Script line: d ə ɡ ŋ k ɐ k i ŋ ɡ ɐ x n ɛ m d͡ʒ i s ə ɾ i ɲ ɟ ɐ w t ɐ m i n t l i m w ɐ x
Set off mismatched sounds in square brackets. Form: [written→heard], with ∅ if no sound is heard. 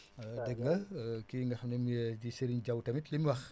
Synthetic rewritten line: d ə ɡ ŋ [k→ɡ] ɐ k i ŋ ɡ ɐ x n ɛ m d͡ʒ i s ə ɾ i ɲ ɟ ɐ w t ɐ m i [n→∅] t l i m w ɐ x